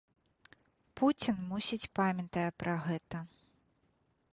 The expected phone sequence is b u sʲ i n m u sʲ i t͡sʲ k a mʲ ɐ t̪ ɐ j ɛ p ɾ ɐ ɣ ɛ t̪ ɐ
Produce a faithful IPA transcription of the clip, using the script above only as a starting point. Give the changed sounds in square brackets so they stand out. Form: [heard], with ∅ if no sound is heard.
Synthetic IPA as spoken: [p] u [t͡sʲ] i n m u sʲ i t͡sʲ [p] a mʲ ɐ t̪ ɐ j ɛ p ɾ ɐ ɣ ɛ t̪ ɐ